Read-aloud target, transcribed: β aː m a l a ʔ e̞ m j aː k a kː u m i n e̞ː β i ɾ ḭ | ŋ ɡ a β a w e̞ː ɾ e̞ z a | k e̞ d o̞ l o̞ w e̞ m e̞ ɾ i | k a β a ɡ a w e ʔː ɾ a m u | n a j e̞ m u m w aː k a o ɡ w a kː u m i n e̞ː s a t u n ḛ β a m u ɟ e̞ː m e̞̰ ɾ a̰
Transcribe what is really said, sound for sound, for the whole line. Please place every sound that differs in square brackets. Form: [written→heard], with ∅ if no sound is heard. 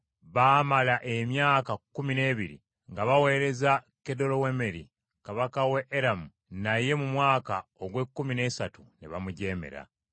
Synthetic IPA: β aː m a l a ʔ e̞ m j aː k a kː u m i n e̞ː β i ɾ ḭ | ŋ ɡ a β a w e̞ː ɾ e̞ z a | k e̞ d o̞ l o̞ w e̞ m e̞ ɾ i | k a β a [ɡ→k] a w e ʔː ɾ a m u | n a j e̞ m u m w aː k a o ɡ w [a→e] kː u m i n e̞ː s a t u n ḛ β a m u ɟ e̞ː m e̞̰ ɾ a̰